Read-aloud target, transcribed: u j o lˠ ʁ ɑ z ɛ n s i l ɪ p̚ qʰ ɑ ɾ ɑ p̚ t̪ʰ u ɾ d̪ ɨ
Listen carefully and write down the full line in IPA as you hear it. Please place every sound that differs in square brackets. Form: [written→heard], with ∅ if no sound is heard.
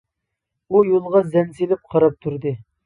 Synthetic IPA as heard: u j o lˠ ʁ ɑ z ɛ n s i l ɪ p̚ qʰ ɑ ɾ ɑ p̚ t̪ʰ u ɾ d̪ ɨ

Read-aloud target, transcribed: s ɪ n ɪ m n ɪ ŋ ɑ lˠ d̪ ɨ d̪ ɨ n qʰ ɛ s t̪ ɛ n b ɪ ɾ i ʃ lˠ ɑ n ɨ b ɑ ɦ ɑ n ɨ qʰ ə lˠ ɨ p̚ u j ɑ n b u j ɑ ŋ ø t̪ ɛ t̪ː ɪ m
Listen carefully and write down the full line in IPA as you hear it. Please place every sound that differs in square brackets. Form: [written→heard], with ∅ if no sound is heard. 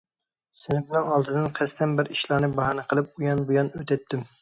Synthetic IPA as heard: s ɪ n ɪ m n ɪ ŋ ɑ lˠ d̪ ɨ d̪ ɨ n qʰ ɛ s t̪ ɛ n b ɪ ɾ i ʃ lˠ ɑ n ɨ b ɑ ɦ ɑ n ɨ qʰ ə lˠ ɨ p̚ u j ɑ n b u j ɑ [ŋ→n] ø t̪ ɛ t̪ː ɪ m

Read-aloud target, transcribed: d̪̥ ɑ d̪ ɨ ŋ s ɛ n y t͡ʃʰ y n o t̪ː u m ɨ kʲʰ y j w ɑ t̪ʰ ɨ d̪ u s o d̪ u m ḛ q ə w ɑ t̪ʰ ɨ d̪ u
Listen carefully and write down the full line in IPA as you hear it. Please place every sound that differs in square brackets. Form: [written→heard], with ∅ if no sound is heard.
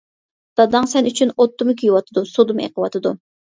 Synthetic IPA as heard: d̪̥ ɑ d̪ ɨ ŋ s ɛ n y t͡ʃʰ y n o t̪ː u m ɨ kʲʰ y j w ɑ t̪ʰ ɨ d̪ u s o d̪ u m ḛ q ə w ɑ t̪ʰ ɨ d̪ u

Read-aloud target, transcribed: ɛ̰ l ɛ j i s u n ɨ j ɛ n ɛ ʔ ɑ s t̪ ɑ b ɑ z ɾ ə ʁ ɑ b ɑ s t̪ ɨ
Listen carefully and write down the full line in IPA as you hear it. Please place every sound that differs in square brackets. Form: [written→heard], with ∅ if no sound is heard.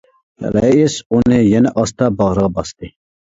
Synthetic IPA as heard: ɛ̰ l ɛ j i s u n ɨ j ɛ n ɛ ʔ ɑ s t̪ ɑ b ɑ [z→ʁ] ɾ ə ʁ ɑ b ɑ s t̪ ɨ

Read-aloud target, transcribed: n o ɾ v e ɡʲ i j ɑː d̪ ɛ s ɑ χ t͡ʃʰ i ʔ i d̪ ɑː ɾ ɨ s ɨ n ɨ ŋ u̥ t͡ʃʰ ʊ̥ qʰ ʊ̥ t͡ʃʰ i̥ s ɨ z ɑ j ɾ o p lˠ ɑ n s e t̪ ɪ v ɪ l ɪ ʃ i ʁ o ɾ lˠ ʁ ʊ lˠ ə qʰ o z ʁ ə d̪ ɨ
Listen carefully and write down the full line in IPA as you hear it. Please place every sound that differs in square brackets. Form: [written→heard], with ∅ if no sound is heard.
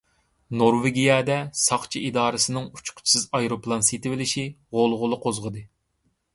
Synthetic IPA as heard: n o ɾ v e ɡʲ i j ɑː d̪ ɛ s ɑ χ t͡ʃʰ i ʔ i d̪ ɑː ɾ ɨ s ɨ n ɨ ŋ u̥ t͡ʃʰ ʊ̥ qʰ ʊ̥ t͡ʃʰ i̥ s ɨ z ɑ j ɾ o p lˠ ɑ n s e t̪ ɪ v ɪ l ɪ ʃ i ʁ o [ɾ→∅] lˠ ʁ ʊ lˠ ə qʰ o z ʁ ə d̪ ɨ

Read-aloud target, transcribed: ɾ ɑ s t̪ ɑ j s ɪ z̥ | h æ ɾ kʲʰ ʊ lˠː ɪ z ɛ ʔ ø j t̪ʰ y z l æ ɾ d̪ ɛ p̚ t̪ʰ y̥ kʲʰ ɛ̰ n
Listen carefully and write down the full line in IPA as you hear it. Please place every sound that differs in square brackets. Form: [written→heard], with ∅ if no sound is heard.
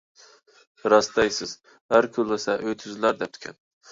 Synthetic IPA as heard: ɾ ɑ s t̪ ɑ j s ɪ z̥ | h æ ɾ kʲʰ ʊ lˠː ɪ [z→s] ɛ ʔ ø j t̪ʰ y z l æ ɾ d̪ ɛ p̚ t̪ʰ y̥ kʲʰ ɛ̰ n

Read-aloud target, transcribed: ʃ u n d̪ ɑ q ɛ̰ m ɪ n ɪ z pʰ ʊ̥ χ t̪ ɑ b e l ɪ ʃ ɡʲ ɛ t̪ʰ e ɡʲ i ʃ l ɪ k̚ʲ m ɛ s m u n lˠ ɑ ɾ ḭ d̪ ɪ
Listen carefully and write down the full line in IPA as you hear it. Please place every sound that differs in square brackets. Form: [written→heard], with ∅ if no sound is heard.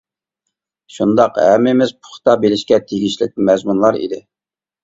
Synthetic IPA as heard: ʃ u n d̪ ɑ q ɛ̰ m ɪ [n→m] ɪ z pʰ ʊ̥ χ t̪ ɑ b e l ɪ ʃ [ɡʲ→kʲ] ɛ t̪ʰ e ɡʲ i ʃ l ɪ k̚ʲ m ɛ [s→z] m u n lˠ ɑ ɾ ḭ d̪ ɪ

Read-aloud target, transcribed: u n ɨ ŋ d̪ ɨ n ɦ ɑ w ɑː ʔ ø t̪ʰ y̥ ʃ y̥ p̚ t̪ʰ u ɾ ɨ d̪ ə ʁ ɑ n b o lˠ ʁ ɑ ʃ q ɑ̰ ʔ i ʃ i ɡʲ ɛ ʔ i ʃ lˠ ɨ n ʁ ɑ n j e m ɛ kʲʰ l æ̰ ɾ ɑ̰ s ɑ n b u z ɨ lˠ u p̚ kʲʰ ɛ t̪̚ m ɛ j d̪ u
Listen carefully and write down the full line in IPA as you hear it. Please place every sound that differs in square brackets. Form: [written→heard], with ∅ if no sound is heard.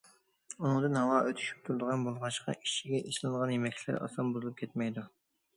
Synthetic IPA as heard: u n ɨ ŋ d̪ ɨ n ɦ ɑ w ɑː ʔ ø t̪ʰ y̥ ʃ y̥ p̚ t̪ʰ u ɾ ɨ d̪ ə ʁ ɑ n b o lˠ ʁ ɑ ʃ q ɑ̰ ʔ i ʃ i ɡʲ ɛ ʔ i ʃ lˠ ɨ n ʁ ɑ n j e m ɛ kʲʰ l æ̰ ɾ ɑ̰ s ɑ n b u z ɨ lˠ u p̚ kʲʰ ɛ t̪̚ m ɛ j d̪ u

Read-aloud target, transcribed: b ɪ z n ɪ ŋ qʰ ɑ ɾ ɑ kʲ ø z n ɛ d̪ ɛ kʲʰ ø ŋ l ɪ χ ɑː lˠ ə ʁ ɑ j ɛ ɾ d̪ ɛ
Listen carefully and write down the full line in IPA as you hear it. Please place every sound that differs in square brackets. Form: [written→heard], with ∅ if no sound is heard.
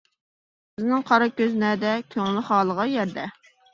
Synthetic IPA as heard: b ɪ z n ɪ ŋ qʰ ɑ ɾ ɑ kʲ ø z n ɛ d̪ ɛ kʲʰ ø ŋ l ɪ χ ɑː lˠ ə ʁ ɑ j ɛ ɾ d̪ ɛ

